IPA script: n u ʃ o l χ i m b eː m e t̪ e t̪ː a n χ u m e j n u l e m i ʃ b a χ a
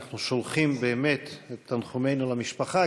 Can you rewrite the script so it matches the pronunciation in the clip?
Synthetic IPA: n u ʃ o l χ i m b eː m e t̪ e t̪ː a n χ u m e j n u l a m i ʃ p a χ a

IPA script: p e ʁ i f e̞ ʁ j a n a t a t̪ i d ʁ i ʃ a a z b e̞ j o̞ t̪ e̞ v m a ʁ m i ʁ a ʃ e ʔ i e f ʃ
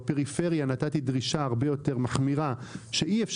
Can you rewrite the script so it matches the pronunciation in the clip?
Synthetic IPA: p e ʁ i f e̞ ʁ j a n a t a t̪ i d ʁ i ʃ a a ʁ b e̞ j o̞ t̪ e̞ ʁ m a χ m i ʁ a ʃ e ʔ i e f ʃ

